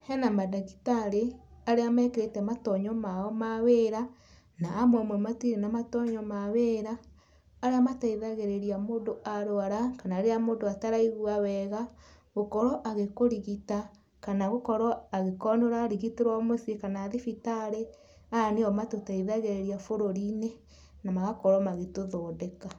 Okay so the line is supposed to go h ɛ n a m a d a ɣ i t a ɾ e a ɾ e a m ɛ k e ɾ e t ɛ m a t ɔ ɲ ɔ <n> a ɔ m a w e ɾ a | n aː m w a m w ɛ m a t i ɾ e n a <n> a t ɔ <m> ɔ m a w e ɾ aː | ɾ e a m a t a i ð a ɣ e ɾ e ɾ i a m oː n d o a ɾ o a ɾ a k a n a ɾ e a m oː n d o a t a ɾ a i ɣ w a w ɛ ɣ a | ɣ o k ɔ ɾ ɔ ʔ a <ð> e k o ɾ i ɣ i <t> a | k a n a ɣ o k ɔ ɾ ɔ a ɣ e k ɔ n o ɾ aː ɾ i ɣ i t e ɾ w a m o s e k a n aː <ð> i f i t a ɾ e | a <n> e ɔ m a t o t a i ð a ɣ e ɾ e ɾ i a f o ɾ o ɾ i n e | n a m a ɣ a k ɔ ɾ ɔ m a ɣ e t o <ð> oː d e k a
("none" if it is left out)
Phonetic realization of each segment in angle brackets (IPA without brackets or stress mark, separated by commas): m, m, ɲ, ɣ, t, ð, n, ð